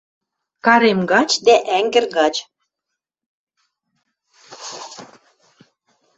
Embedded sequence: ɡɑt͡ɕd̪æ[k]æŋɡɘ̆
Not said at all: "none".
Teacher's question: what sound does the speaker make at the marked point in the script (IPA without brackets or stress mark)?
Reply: ʔ